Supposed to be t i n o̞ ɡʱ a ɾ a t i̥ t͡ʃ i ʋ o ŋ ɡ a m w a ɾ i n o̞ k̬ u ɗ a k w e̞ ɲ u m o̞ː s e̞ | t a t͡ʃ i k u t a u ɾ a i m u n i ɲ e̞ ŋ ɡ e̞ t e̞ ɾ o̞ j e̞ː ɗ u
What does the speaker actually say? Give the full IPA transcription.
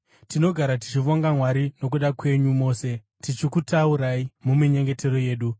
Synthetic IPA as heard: t i n o̞ ɡʱ a ɾ a t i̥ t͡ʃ i ʋ o ŋ ɡ a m w a ɾ i n o̞ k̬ u ɗ a k w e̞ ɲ u m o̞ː s e̞ | t i t͡ʃ i k u t a u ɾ a i m u m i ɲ e̞ ŋ ɡ e̞ t e̞ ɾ o̞ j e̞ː ɗ u